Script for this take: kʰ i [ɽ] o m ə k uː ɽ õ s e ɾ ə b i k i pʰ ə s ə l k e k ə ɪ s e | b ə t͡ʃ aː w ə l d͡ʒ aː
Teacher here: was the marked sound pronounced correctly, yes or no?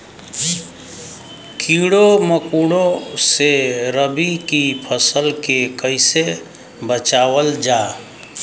yes